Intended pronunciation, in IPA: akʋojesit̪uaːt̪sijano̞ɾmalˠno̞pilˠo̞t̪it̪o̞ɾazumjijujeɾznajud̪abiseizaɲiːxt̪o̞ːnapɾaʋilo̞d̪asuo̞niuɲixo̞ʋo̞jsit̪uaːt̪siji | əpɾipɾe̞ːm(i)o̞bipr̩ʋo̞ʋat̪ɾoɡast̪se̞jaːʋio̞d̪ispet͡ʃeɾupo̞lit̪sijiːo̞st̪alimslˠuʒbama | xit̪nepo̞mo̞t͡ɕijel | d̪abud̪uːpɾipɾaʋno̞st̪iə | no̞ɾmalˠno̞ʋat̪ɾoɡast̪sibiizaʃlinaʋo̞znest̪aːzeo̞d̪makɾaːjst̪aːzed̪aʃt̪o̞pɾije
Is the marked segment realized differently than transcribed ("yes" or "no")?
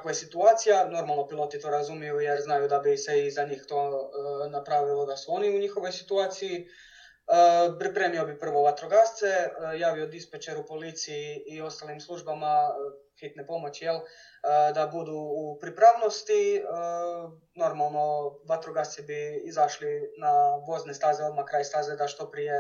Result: no